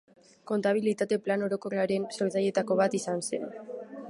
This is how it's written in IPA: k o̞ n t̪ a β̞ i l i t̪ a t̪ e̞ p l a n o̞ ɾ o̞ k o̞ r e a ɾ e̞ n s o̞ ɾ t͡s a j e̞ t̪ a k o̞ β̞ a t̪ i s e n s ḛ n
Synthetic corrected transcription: k o̞ n t̪ a β̞ i l i t̪ a t̪ e̞ p l a n o̞ ɾ o̞ k o̞ r e a ɾ e̞ n s o̞ ɾ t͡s a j e̞ t̪ a k o̞ β̞ a t̪ i s a n s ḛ n